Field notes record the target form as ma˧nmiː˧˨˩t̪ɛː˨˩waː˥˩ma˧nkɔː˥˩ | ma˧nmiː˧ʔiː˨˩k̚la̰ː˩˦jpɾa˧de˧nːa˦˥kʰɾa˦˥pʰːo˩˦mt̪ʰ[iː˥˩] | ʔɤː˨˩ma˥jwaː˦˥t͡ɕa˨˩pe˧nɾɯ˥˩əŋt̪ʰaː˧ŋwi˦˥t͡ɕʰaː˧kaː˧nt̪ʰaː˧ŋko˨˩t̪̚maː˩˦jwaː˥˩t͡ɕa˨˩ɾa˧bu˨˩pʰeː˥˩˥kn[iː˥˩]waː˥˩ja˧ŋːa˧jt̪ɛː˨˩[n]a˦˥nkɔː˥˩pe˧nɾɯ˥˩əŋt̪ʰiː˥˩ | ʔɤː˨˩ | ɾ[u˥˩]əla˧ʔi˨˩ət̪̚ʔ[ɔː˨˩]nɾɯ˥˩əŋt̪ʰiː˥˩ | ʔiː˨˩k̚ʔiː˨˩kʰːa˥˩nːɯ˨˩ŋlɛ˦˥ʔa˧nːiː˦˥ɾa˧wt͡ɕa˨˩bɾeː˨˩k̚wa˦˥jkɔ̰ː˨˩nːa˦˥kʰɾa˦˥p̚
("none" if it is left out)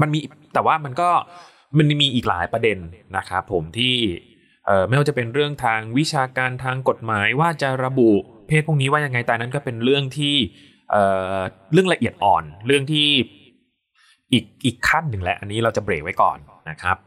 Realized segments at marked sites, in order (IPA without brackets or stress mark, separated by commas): iː˥˩, iː˦˥, n, ɯ˥˩, ɔː˨˩